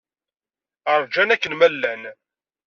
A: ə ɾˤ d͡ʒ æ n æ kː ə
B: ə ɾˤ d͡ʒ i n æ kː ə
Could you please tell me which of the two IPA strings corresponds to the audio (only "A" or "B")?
A